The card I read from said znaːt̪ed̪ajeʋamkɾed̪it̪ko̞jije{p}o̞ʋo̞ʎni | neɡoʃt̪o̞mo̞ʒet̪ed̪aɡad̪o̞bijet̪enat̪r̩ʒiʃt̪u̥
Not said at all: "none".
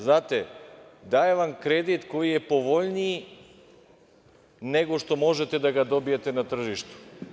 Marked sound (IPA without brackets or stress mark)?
p